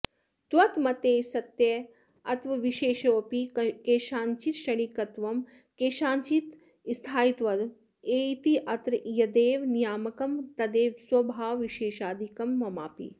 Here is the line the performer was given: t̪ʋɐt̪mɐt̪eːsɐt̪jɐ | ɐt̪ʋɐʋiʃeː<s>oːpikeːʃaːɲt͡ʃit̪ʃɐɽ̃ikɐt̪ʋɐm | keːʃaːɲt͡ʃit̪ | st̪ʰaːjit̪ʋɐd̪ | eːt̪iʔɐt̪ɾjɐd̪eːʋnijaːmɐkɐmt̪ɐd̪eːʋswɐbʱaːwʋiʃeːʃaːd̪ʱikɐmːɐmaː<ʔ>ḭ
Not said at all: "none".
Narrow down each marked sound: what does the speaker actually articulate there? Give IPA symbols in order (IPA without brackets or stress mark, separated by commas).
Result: ʃ, p